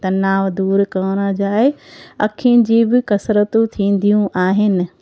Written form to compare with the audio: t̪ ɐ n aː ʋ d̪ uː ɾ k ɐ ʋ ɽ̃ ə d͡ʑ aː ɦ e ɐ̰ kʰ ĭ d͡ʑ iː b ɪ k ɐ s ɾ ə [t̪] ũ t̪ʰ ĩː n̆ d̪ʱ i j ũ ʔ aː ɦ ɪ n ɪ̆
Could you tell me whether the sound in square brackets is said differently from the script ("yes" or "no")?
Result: no